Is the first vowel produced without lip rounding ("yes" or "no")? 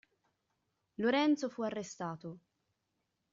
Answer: no